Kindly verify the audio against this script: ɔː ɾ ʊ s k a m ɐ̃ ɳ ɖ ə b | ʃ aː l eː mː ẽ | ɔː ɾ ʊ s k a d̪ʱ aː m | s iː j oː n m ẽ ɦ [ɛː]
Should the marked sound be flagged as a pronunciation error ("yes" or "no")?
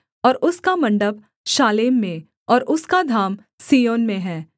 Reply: no